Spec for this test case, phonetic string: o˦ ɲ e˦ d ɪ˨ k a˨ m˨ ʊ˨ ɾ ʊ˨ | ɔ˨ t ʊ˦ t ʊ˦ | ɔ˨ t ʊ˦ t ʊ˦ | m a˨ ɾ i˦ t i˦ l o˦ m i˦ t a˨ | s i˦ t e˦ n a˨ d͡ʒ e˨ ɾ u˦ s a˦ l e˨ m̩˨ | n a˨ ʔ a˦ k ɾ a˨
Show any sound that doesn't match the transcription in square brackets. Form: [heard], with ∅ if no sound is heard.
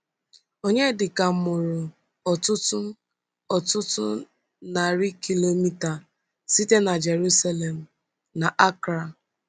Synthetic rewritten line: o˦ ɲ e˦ d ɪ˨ k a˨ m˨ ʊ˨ ɾ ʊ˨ | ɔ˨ t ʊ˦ t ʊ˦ | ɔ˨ t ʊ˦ t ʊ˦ | [n] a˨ ɾ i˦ [k] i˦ l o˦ m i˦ t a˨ | s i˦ t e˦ n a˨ d͡ʒ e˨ ɾ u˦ s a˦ l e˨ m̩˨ | n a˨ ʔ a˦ k ɾ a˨